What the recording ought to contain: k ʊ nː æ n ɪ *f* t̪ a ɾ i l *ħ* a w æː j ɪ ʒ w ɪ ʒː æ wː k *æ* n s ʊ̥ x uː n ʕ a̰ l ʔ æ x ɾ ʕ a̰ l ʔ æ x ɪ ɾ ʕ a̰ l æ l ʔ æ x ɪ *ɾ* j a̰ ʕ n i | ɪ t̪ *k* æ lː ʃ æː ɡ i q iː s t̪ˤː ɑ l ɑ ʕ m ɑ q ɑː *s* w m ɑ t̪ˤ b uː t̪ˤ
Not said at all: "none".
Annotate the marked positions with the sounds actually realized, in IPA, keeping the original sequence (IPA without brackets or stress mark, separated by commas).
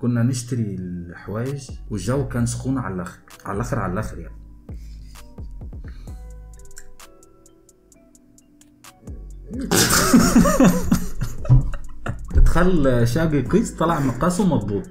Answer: ʃ, ħ, æː, ɾ, x, s